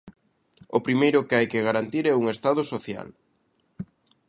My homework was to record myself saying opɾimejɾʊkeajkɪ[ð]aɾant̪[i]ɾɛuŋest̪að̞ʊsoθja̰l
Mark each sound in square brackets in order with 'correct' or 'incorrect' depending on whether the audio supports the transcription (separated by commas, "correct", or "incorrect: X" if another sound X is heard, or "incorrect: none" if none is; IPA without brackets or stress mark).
incorrect: ɣ, correct